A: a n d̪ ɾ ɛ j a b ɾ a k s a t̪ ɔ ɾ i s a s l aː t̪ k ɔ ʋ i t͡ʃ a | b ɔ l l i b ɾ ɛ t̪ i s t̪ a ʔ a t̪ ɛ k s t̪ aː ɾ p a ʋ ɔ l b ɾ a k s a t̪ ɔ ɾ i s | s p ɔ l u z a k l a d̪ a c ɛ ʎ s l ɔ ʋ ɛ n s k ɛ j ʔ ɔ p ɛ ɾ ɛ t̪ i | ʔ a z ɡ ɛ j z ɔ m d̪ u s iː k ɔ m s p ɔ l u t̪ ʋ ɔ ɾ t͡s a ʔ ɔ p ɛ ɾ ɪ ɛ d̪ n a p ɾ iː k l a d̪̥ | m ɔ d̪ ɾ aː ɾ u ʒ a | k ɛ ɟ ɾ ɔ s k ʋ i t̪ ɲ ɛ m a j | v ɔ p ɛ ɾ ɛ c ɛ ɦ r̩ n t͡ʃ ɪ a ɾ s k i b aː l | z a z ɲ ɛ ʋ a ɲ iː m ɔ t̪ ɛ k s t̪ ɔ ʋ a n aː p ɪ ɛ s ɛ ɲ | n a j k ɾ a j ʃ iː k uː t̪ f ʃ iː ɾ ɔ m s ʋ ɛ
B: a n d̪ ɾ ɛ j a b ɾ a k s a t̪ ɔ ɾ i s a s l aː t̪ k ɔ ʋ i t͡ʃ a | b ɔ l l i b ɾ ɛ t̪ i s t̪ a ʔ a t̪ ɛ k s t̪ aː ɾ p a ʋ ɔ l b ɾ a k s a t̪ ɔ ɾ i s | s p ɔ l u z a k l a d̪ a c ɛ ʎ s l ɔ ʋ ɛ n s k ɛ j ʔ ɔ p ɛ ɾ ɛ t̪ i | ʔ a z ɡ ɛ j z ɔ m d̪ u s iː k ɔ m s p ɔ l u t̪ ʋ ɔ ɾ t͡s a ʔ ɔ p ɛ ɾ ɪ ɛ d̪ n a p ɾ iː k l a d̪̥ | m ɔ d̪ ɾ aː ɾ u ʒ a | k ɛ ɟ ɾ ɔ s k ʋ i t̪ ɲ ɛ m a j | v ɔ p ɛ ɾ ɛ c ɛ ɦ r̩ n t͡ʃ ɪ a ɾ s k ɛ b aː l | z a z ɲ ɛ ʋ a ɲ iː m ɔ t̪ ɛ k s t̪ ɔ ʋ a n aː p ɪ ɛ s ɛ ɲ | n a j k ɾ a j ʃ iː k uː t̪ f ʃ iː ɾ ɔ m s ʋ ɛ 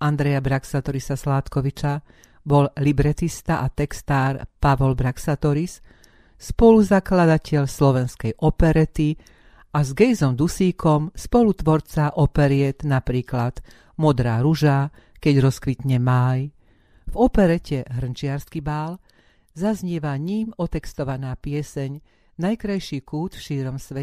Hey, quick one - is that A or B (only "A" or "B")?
A